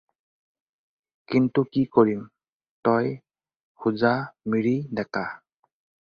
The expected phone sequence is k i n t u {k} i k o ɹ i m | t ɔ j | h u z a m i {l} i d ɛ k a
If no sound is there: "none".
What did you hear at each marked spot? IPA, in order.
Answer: k, ɹ

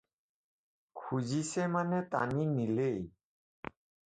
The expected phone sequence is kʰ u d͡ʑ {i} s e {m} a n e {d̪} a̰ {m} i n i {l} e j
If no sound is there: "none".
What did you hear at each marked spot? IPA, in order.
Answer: i, m, t̪, n, l

